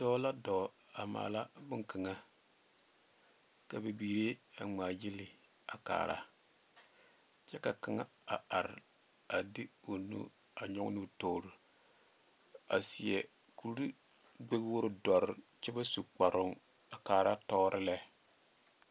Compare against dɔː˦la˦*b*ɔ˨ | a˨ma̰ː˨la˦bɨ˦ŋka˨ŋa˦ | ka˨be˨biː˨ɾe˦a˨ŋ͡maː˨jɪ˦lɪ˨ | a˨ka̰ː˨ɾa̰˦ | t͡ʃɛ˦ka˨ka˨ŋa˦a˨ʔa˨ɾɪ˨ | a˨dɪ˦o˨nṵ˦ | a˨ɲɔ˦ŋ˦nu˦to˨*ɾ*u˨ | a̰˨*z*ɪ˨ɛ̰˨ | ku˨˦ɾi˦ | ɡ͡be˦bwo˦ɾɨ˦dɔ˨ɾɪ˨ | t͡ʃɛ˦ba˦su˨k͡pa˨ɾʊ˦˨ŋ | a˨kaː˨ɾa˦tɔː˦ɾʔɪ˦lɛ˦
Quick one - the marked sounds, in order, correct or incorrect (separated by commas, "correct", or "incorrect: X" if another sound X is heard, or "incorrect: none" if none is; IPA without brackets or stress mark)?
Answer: incorrect: d, correct, incorrect: s